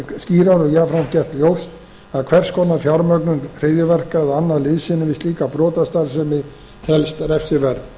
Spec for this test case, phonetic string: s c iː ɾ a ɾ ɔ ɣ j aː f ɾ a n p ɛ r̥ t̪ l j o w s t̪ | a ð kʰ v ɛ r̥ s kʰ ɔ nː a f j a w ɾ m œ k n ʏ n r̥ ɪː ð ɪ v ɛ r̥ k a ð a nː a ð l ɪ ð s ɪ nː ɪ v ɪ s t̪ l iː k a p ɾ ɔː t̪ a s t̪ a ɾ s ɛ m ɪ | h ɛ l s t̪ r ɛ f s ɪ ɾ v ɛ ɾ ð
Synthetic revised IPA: s c iː ɾ a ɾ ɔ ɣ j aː f ɾ a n c ɛ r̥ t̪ l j o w s t̪ | a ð kʰ v ɛ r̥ s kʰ ɔ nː a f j a w ɾ m œ k n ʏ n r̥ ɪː ð ɪ v ɛ r̥ k a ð a nː a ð l ɪ ð s ɪ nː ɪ v ɪ s t̪ l iː k a p ɾ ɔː t̪ a s t̪ a ɾ s ɛ m ɪ | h ɛ l s t̪ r ɛ f s ɪ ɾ v ɛ ɾ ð